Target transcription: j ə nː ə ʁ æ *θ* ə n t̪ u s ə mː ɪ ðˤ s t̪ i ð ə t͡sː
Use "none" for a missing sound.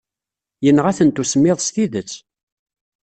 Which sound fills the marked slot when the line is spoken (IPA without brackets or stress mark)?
θ